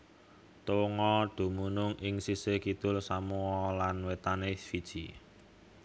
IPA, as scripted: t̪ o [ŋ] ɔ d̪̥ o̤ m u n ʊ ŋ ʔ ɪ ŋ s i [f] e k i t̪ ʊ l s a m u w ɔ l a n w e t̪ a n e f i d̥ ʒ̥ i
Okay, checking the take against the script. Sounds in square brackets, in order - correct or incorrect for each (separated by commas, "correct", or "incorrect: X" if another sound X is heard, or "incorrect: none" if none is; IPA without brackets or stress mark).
correct, incorrect: s